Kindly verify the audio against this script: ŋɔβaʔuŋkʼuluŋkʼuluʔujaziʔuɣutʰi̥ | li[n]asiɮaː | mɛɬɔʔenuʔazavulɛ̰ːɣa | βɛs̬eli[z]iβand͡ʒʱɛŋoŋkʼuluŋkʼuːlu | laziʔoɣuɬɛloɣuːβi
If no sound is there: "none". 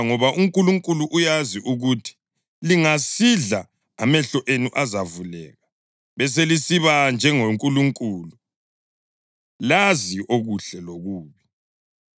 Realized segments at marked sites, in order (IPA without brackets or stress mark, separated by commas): ŋ, s